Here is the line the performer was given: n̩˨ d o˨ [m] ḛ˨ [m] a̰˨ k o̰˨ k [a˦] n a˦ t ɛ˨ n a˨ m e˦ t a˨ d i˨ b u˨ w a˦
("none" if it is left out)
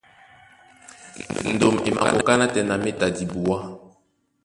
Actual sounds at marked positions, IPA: m, m, a˦

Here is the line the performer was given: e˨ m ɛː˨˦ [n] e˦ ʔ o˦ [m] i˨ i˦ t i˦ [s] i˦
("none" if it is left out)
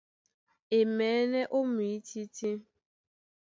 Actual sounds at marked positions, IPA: n, m, t

